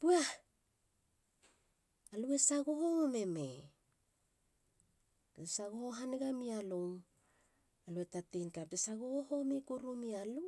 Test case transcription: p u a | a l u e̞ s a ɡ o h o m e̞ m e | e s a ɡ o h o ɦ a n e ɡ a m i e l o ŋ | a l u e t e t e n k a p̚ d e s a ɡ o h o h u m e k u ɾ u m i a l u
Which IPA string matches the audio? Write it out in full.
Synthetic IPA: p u a | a l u e̞ s a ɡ o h o m e̞ m e | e s a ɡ o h o ɦ a n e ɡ a m i a l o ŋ | a l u e t a t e n k a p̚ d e s a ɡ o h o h o m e k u ɾ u m i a l u